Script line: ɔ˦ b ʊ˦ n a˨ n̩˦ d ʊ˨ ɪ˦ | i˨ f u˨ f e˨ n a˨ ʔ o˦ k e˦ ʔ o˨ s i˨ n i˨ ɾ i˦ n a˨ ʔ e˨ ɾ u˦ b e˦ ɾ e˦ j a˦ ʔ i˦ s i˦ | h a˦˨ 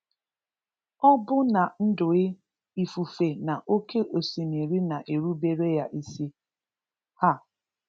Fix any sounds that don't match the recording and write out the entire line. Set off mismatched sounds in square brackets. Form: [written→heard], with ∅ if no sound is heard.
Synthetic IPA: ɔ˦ b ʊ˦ n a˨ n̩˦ d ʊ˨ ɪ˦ | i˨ f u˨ f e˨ n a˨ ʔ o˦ k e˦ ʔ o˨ s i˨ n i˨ ɾ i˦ n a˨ ʔ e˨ ɾ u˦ b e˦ ɾ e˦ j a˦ ʔ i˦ s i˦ | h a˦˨